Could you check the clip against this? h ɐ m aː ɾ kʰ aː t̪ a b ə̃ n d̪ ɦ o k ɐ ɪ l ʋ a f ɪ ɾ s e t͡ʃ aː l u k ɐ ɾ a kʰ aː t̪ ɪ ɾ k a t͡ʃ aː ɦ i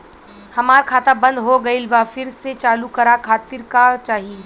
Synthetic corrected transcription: h ɐ m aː ɾ kʰ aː t̪ a b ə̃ n d̪ ɦ o ɡ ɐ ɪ l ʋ a f ɪ ɾ s e t͡ʃ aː l u k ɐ ɾ a kʰ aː t̪ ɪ ɾ k a t͡ʃ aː ɦ i